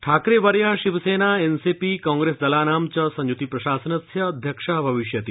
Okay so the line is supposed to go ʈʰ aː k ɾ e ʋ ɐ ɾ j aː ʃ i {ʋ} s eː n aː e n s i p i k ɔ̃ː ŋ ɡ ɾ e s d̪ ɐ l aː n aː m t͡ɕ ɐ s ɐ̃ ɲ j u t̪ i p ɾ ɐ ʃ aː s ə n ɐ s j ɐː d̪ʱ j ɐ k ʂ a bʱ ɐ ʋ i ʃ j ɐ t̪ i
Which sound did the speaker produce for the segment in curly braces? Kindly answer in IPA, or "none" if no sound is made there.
ʋ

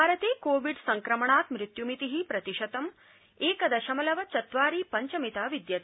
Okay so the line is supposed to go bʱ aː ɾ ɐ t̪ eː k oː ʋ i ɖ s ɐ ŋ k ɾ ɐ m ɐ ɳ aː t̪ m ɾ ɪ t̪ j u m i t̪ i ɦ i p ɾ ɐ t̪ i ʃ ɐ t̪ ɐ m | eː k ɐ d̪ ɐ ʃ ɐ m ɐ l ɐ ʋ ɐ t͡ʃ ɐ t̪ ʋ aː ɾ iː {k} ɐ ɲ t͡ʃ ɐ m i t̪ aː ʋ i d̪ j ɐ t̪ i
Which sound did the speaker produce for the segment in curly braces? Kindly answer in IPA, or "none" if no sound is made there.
p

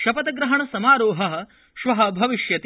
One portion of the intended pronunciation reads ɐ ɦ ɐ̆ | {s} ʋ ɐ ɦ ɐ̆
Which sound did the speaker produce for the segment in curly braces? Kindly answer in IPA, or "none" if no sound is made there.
ʃ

